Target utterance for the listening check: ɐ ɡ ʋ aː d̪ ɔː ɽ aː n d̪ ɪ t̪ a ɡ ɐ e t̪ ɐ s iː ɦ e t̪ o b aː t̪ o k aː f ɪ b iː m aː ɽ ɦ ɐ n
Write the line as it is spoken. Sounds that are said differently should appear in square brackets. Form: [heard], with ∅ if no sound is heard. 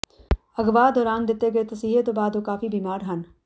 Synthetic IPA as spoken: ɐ ɡ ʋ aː d̪ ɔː [ɾ] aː n d̪ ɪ t̪ [e] ɡ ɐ e t̪ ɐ s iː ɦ e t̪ o b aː [d̪] o k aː f [i] b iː m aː [ɾ] ɦ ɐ n

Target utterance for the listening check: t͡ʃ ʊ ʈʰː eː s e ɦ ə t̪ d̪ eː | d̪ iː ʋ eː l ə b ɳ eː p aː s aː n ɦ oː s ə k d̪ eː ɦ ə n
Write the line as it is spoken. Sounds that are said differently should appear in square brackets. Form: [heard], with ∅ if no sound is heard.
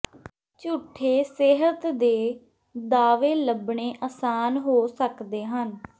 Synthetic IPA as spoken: t͡ʃ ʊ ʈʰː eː s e ɦ ə t̪ d̪ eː | d̪ [aː] ʋ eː l ə b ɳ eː [ʔ] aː s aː n ɦ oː s ə k d̪ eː ɦ ə n

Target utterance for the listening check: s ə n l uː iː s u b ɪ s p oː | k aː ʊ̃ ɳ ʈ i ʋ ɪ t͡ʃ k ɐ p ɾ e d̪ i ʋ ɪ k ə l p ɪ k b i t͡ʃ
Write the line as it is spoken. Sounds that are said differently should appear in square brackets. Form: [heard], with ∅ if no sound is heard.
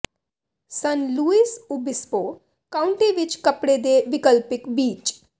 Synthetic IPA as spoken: s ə n l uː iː s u b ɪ s p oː | k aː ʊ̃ ɳ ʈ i ʋ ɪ t͡ʃ k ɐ p [ɽ] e d̪ [e] ʋ ɪ k ə l p ɪ k b [iː] t͡ʃ

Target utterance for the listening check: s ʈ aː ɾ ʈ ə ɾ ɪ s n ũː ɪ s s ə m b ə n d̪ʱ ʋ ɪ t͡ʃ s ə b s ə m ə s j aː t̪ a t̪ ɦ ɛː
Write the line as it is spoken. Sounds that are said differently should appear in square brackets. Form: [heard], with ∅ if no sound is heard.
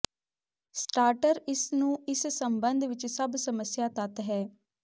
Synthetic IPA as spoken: s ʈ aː ɾ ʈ ə ɾ ɪ s n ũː ɪ s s ə m b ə n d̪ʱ ʋ ɪ t͡ʃ s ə b s ə m ə s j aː t̪ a t̪ ɦ ɛː

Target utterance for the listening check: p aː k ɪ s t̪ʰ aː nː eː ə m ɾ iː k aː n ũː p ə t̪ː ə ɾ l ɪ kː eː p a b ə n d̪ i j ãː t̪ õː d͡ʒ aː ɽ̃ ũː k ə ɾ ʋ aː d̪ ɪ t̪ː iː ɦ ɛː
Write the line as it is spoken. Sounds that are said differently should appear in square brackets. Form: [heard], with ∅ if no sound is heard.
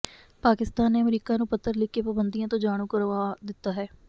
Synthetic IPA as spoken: p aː k ɪ s [t̪] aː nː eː ə m ɾ iː k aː n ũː p ə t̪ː ə ɾ l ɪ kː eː p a b ə n d̪ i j ãː t̪ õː d͡ʒ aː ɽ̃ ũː k ə ɾ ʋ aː d̪ ɪ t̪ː [aː] ɦ ɛː

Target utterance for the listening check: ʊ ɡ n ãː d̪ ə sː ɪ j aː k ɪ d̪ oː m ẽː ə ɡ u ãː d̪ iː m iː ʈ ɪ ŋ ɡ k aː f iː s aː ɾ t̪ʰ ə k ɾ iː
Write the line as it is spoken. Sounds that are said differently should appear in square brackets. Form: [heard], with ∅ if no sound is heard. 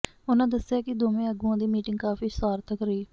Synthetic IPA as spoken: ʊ [∅] n ãː d̪ ə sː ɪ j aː k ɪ d̪ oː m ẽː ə ɡ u ãː d̪ iː m iː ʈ ɪ ŋ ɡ k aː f iː s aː ɾ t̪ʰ ə k ɾ iː

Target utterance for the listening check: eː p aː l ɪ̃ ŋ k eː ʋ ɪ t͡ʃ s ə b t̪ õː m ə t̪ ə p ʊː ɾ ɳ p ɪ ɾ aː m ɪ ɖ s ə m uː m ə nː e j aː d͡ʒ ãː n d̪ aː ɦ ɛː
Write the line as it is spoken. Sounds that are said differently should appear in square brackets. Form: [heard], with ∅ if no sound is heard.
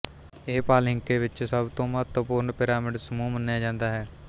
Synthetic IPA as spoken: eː p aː l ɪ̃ ŋ k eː ʋ ɪ t͡ʃ s ə b t̪ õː m ə t̪ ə p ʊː ɾ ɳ p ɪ ɾ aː m ɪ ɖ s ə m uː m ə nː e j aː d͡ʒ ãː n d̪ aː ɦ ɛː

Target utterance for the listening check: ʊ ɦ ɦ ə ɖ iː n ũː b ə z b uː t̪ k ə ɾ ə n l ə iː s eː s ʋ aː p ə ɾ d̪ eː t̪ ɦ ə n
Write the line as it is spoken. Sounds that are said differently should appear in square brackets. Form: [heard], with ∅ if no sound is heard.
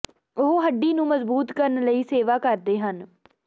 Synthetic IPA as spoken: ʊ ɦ ɦ ə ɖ iː n ũː [m] ə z b uː t̪ k ə ɾ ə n l ə iː s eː [∅] ʋ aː [k] ə ɾ d̪ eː [∅] ɦ ə n

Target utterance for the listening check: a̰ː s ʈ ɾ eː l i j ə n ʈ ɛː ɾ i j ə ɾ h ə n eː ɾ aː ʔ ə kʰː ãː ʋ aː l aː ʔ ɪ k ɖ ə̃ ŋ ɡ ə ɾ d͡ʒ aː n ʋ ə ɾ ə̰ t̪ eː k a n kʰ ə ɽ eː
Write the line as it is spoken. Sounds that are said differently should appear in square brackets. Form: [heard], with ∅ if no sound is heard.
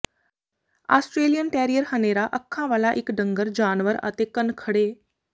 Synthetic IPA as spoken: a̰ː s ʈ ɾ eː l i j ə n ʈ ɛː ɾ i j ə ɾ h ə n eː ɾ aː ʔ ə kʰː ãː ʋ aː l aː ʔ ɪ k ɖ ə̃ ŋ ɡ ə ɾ d͡ʒ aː n ʋ ə ɾ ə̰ t̪ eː k [ə] n kʰ ə ɽ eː

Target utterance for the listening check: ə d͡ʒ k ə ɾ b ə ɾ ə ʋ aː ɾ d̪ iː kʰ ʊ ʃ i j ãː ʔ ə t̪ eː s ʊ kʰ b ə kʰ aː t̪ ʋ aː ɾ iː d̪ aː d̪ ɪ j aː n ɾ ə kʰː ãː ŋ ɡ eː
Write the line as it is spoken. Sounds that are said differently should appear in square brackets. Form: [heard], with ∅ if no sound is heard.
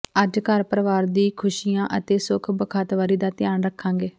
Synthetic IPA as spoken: ə d͡ʒ k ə ɾ [p] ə ɾ ə ʋ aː ɾ d̪ iː kʰ ʊ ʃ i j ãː ʔ ə t̪ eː s ʊ kʰ b ə kʰ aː t̪ ʋ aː ɾ iː d̪ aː [t̪] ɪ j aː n ɾ ə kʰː ãː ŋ ɡ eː

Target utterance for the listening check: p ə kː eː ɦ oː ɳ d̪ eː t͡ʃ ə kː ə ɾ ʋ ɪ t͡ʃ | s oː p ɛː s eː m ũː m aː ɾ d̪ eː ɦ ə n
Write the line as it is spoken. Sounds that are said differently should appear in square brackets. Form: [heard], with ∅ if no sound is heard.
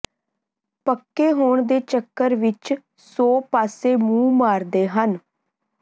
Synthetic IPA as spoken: p ə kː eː ɦ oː ɳ d̪ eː t͡ʃ ə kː ə ɾ ʋ ɪ t͡ʃ | s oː p [aː] s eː m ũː m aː ɾ d̪ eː ɦ ə n

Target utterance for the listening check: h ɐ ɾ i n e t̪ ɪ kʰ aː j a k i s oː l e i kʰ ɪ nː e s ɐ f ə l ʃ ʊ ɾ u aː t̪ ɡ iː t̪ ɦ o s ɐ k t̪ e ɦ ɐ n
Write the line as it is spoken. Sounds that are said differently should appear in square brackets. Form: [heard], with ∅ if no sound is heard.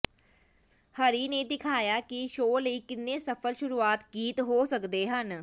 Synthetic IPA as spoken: h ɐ ɾ i n e [d̪] ɪ kʰ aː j a k i [ʃ] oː l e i [k] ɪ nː e s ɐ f ə l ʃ ʊ ɾ u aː t̪ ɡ iː t̪ ɦ o s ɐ k [d̪] e ɦ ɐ n

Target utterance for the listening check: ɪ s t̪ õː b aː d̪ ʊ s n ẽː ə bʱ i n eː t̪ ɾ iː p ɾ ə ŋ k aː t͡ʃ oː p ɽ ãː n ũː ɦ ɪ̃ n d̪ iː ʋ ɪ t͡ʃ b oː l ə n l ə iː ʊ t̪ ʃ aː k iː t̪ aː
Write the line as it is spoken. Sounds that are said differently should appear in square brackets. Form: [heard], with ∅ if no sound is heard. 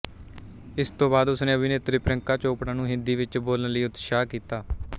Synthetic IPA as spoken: ɪ s t̪ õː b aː d̪ ʊ s n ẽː ə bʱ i n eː t̪ ɾ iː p ɾ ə ŋ k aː t͡ʃ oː p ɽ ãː n ũː ɦ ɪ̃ n d̪ iː ʋ ɪ t͡ʃ b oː l ə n l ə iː ʊ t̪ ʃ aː k iː t̪ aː

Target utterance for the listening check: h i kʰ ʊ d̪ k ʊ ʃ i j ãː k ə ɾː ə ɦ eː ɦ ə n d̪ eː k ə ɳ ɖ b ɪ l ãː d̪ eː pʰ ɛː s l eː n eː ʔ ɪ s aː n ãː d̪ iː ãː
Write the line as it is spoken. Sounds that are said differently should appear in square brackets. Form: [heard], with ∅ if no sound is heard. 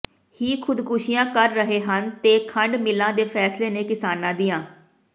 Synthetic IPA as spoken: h [iː] kʰ ʊ d̪ k ʊ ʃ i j ãː k ə ɾː ə ɦ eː ɦ ə n [t̪] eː [kʰ] ə ɳ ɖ [m] ɪ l ãː d̪ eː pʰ ɛː s l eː n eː [k] ɪ s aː n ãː d̪ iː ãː

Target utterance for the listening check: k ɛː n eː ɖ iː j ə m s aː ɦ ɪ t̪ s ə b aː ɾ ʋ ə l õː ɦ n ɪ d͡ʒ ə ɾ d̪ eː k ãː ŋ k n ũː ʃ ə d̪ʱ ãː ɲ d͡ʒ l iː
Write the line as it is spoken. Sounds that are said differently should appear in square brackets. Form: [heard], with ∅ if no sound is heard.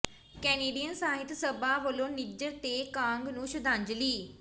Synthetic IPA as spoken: k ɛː n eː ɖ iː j ə [n] s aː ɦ ɪ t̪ s ə b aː [∅] ʋ ə l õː [∅] n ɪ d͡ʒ ə ɾ [t̪] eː k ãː ŋ [ɡ] n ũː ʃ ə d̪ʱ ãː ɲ d͡ʒ l iː

